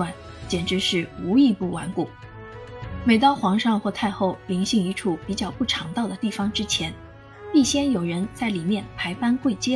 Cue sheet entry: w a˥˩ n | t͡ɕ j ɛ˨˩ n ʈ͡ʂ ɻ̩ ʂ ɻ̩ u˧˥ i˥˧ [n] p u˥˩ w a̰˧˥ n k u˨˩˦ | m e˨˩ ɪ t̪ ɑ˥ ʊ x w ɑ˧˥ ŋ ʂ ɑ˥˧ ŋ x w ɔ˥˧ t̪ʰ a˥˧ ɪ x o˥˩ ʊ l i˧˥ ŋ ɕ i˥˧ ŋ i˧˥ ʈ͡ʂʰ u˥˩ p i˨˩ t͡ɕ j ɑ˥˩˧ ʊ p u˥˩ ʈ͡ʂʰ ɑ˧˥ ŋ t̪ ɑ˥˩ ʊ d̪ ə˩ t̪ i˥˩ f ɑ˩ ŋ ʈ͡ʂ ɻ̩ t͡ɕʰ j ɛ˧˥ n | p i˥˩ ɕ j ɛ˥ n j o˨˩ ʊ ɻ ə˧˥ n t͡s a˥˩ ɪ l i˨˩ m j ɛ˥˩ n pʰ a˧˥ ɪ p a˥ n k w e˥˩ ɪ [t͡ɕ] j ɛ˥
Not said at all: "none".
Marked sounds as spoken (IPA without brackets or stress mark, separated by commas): none, t͡ɕ